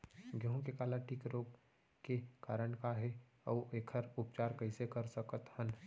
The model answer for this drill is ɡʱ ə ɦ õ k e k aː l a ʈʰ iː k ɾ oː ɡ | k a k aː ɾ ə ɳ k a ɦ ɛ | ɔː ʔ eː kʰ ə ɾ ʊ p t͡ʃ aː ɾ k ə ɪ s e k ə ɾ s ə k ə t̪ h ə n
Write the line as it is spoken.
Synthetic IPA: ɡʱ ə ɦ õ k e k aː l a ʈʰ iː k ɾ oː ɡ | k e k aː ɾ ə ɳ k a ɦ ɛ | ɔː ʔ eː kʰ ə ɾ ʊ p t͡ʃ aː ɾ k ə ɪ s e k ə ɾ s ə k ə t̪ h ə n